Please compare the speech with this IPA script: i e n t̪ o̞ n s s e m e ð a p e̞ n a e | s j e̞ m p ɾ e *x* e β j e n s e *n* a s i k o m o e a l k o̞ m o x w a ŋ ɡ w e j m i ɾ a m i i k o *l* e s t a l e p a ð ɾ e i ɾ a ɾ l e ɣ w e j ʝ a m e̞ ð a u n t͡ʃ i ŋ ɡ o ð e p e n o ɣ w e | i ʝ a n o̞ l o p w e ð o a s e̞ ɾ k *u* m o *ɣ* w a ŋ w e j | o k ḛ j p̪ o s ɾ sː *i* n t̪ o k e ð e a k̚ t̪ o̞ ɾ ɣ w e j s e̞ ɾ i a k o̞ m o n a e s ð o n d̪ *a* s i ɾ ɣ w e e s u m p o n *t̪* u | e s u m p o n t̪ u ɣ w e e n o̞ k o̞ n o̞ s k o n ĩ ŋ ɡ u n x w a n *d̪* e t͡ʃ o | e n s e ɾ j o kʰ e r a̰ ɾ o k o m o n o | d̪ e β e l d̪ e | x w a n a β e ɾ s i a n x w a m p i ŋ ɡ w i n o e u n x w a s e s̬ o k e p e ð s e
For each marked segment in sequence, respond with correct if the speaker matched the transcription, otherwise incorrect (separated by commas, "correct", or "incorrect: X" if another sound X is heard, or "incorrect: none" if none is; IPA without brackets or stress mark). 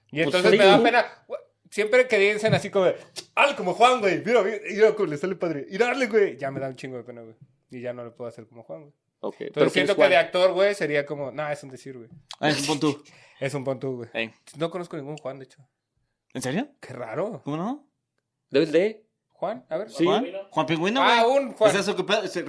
incorrect: k, correct, correct, incorrect: o, incorrect: x, incorrect: e, incorrect: e, correct, correct